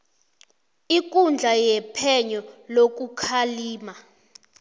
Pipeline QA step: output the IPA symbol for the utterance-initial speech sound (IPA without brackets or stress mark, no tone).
i